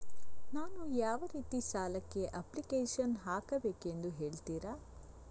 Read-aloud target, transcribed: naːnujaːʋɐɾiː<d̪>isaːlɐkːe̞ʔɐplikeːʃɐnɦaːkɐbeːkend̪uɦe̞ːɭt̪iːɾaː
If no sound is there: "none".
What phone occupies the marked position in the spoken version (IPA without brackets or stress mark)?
t̪